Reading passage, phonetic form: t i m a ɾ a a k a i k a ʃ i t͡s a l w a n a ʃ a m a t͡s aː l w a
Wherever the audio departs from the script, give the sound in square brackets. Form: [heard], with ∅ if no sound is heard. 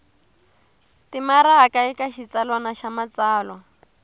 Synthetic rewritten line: t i m a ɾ a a k a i k a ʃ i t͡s a l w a n a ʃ a m a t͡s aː l w a